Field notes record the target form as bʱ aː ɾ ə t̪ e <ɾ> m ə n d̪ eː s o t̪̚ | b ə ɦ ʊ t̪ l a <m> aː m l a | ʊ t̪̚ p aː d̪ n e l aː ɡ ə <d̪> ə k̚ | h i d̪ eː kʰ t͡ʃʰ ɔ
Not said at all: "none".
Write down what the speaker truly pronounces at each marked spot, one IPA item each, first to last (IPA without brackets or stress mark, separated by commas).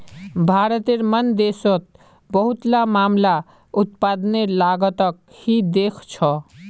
ɾ, m, t̪